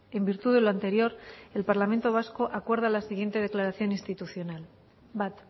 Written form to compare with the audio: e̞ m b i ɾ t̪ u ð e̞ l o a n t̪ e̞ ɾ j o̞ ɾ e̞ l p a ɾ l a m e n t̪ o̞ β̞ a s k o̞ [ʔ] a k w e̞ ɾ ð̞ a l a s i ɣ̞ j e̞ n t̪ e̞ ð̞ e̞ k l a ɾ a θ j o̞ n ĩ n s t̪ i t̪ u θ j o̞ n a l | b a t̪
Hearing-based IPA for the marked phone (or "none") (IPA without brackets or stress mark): ʔ